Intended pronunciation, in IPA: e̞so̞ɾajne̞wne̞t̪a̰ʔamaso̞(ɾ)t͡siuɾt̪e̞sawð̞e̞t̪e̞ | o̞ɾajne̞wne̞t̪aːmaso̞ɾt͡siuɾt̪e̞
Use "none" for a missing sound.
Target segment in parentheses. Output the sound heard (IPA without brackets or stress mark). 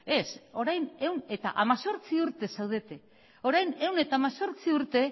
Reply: ɾ